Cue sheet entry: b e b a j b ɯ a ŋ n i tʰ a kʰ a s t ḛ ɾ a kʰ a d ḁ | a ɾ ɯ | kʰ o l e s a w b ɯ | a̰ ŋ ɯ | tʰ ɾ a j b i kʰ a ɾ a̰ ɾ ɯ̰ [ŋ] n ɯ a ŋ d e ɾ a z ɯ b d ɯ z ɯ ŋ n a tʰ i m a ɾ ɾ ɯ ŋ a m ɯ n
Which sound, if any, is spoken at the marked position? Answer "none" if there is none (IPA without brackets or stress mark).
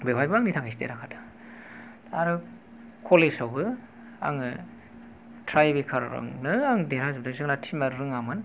ŋ